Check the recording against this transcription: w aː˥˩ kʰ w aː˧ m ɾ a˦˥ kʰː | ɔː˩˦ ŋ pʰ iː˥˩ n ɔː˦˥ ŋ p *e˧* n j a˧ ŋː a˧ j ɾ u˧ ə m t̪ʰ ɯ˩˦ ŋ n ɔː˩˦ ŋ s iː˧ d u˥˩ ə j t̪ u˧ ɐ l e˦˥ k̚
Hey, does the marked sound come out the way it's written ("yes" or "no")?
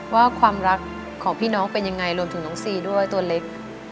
yes